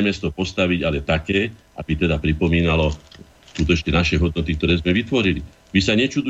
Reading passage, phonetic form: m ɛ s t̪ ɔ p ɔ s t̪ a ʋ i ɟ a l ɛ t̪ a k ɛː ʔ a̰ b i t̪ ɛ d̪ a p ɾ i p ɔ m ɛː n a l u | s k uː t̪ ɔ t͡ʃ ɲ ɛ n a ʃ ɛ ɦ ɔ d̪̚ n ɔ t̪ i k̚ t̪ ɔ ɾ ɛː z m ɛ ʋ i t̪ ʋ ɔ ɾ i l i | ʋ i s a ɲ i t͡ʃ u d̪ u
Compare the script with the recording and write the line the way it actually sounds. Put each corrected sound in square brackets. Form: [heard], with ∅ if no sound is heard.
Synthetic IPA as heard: m ɛ s t̪ ɔ p ɔ s t̪ a ʋ i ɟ a l ɛ t̪ a k ɛː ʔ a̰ b i t̪ ɛ d̪ a p ɾ i p ɔ m [iː] n a l [ɔ] | s k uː t̪ ɔ t͡ʃ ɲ ɛ n a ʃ ɛ ɦ ɔ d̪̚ n ɔ t̪ i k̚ t̪ ɔ ɾ ɛː z m ɛ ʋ i t̪ ʋ ɔ ɾ i l i | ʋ i s a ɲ [ɛ] t͡ʃ u d̪ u